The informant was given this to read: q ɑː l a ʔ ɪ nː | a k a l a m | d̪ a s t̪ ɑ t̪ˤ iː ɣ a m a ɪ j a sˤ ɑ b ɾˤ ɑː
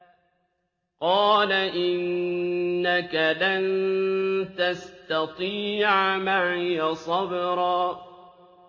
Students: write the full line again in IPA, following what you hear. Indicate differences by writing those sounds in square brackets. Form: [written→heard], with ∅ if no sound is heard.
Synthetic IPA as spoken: q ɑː l a ʔ ɪ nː | a k a l a [m→n] | [d̪→t̪] a s t̪ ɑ t̪ˤ iː [ɣ→ʕ] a m a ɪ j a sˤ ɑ b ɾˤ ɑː